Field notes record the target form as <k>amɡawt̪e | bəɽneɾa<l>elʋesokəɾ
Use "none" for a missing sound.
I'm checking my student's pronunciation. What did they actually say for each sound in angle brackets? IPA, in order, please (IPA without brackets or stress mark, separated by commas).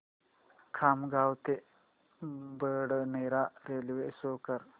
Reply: kʰ, ɾ